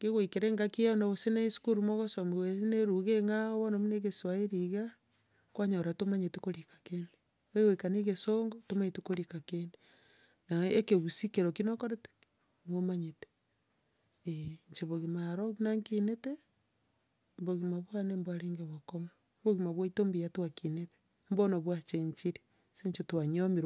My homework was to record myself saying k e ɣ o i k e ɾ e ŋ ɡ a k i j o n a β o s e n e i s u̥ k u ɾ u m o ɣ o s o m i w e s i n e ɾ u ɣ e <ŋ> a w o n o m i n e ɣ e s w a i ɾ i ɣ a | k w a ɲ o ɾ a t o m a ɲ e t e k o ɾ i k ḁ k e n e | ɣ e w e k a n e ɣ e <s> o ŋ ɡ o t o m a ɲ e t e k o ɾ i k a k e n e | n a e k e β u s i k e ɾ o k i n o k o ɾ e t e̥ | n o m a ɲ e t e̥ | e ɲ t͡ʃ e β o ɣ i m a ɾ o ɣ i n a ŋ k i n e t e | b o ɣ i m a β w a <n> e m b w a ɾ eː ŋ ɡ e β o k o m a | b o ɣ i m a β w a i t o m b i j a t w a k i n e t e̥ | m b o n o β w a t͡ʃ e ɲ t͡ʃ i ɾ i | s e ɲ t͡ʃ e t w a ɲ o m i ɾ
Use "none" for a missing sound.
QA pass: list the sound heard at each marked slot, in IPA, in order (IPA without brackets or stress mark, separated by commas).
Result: ŋ, s, n